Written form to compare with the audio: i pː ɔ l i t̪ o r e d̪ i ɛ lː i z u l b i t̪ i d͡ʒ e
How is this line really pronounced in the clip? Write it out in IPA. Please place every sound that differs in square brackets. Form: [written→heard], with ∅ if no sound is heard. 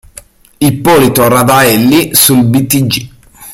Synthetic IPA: i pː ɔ l i t̪ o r [e→a] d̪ [i→a] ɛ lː i [z→s] u l b i t̪ i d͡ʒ [e→i]